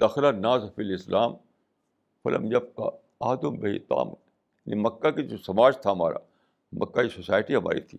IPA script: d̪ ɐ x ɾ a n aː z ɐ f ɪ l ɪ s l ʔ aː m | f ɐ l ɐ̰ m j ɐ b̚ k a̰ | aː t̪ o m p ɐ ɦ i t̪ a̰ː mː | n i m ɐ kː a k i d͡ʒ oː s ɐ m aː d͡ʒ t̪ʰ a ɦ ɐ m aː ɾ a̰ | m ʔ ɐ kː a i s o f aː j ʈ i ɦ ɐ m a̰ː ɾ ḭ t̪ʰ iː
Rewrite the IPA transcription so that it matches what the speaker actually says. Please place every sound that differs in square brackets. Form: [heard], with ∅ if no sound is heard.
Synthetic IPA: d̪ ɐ x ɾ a n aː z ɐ f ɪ l ɪ s l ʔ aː m | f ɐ l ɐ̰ m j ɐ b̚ k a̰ | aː [d̪] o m [b] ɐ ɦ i t̪ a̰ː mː | n i m ɐ kː a k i d͡ʒ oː s ɐ m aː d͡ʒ t̪ʰ a ɦ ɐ m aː ɾ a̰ | m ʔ ɐ kː a i s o [s] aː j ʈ i ɦ ɐ m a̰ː ɾ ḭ t̪ʰ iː